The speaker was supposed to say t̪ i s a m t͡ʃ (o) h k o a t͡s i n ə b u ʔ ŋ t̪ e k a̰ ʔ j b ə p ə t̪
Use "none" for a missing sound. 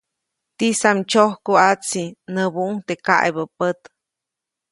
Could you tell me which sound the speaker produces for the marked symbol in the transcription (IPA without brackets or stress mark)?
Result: o